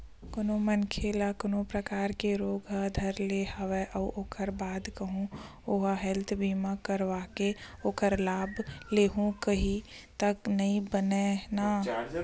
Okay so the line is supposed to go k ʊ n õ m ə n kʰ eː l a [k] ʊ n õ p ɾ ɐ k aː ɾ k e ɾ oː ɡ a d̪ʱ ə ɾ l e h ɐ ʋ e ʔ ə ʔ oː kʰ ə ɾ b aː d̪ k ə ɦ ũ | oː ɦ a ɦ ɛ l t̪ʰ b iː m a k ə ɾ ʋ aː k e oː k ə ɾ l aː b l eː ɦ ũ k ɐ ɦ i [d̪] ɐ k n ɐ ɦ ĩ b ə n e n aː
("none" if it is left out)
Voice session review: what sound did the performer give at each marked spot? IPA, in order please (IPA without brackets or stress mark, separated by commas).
k, t̪